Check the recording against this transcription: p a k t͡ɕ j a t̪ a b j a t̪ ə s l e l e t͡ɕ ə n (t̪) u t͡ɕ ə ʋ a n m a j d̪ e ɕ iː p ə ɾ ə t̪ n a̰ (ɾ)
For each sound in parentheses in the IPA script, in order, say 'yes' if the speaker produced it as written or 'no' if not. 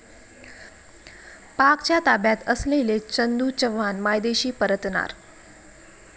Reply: no, yes

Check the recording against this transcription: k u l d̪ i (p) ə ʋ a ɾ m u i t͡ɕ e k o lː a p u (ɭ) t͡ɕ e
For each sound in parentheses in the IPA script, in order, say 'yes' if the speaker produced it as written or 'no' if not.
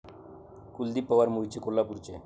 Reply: yes, no

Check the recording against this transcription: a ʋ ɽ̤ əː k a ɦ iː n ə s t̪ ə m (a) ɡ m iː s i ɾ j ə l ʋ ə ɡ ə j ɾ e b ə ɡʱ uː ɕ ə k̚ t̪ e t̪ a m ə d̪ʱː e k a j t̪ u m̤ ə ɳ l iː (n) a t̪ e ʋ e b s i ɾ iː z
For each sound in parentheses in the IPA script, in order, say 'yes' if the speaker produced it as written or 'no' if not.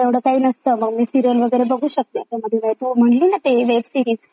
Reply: no, yes

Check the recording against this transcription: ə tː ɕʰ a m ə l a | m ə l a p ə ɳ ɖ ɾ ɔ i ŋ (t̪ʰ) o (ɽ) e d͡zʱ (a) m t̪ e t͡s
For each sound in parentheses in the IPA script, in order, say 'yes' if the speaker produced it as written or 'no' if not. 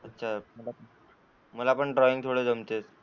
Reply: yes, yes, no

